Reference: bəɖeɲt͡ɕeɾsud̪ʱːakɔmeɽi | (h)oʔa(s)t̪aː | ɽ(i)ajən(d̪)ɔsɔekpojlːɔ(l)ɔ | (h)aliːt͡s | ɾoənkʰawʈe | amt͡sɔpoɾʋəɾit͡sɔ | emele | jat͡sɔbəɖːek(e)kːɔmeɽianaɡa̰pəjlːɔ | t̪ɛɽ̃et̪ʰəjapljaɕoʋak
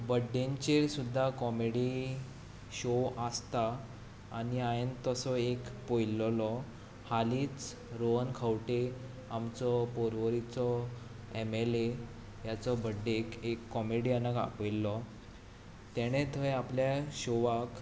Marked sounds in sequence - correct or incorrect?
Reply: incorrect, correct, correct, incorrect, correct, correct, correct

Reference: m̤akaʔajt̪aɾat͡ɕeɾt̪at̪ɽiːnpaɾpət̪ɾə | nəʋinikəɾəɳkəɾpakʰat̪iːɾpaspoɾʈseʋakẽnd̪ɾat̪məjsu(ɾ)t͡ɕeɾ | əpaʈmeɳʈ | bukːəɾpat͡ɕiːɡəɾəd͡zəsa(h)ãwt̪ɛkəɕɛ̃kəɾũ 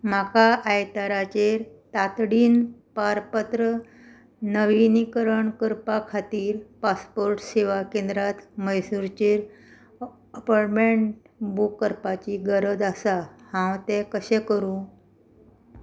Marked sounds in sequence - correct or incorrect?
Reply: correct, correct

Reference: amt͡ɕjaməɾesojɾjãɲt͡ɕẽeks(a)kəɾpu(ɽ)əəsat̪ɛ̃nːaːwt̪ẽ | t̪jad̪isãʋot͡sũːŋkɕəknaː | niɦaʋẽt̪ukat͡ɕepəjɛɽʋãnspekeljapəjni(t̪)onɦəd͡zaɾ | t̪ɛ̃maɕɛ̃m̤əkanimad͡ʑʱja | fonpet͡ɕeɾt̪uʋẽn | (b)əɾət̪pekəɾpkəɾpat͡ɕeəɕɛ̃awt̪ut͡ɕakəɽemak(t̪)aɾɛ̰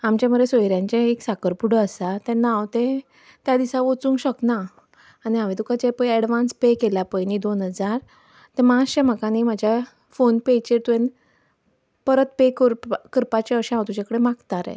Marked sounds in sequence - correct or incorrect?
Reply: correct, correct, incorrect, incorrect, correct

